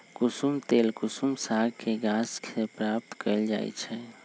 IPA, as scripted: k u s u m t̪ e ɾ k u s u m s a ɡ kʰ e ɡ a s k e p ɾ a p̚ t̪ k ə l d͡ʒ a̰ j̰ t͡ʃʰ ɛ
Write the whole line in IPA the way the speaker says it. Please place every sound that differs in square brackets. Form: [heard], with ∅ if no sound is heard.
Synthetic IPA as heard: k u s u m t̪ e [l] k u s u m s a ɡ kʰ e ɡ a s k e p ɾ a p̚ t̪ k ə l d͡ʒ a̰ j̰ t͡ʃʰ ɛ